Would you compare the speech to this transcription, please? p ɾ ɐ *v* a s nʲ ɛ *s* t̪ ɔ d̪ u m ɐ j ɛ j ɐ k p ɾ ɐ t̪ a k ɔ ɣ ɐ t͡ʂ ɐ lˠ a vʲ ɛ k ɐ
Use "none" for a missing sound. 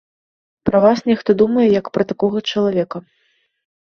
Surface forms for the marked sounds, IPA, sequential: v, x

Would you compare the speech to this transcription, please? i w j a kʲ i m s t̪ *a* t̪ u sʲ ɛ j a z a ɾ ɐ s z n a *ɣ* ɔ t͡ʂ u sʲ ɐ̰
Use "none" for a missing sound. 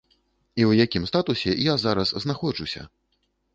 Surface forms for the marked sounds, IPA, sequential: a, x

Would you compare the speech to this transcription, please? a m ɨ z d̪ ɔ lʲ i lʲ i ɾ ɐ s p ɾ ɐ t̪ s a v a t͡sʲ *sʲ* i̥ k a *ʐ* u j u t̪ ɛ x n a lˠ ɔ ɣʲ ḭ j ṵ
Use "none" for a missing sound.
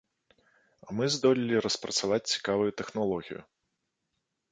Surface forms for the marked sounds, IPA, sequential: t͡sʲ, v

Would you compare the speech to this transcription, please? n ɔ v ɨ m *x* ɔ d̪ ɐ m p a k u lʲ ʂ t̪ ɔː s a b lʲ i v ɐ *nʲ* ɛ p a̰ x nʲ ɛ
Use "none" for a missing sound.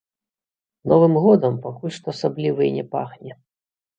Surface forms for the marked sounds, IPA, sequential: ɣ, nʲ

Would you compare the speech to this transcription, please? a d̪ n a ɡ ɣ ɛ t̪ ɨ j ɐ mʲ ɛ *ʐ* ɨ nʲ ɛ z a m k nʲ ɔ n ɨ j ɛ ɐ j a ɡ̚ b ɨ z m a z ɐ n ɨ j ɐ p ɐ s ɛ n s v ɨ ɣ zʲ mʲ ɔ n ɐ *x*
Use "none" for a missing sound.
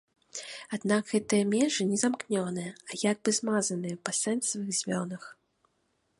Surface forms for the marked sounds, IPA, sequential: ʐ, x

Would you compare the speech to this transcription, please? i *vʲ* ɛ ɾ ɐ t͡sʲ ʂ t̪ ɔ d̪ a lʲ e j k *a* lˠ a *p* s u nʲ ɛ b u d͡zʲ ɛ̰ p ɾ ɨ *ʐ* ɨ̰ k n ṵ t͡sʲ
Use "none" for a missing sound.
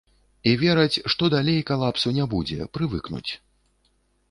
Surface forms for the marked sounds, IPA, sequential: vʲ, a, p, v

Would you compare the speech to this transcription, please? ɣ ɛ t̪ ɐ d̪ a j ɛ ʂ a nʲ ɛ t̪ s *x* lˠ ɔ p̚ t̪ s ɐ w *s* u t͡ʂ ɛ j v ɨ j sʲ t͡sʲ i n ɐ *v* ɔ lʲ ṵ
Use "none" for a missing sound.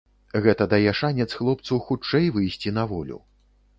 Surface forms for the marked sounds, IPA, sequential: x, x, v

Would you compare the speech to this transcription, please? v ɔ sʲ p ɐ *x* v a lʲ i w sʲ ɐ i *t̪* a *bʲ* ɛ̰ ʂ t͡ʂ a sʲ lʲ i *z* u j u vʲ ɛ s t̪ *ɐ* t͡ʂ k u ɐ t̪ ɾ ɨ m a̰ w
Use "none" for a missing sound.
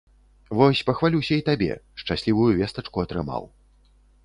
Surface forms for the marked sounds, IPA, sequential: x, t̪, bʲ, v, ɐ

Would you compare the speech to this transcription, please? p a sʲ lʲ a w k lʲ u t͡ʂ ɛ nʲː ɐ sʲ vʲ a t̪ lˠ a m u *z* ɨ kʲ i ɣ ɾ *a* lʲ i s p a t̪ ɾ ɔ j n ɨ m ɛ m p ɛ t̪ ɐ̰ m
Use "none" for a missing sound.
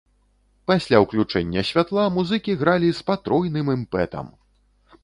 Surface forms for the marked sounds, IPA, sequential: z, a

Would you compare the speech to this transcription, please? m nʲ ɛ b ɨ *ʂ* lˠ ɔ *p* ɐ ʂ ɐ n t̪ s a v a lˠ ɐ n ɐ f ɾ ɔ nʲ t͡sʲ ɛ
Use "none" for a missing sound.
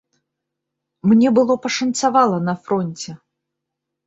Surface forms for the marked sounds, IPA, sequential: none, p

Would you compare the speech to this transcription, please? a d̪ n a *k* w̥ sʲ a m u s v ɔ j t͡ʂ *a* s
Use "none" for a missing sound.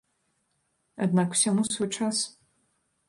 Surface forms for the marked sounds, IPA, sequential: k, a

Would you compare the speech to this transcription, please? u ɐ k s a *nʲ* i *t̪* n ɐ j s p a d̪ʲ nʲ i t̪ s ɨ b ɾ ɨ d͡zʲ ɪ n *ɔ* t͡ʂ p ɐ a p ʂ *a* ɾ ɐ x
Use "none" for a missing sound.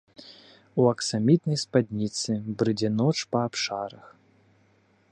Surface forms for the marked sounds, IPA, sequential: mʲ, t̪, ɔ, a

